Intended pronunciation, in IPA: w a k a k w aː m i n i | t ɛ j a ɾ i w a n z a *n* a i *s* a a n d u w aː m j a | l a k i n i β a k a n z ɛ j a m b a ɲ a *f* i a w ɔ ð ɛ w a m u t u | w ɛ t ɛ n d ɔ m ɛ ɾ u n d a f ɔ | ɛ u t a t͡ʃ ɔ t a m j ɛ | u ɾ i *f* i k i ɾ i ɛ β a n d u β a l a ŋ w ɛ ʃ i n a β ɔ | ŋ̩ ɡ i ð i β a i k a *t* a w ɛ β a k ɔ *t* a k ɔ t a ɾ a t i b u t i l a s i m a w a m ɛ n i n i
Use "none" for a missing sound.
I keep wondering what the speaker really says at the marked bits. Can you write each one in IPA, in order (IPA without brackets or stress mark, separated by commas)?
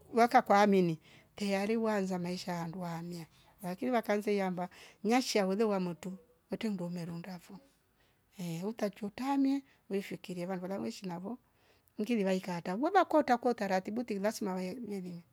m, ʃ, ʃ, f, t, t